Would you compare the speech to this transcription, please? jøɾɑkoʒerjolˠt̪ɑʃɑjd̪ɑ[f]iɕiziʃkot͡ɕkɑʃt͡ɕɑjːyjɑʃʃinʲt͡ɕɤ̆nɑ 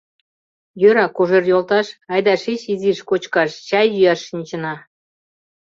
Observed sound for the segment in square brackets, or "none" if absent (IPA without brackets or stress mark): ʃ